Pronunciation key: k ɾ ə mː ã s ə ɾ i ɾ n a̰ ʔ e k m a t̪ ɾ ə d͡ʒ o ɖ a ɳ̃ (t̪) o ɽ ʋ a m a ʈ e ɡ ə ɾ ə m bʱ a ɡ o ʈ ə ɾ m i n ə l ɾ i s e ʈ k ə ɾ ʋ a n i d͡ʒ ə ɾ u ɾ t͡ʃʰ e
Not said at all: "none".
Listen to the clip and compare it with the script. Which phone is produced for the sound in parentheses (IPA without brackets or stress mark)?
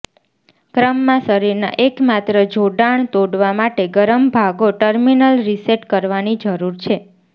t̪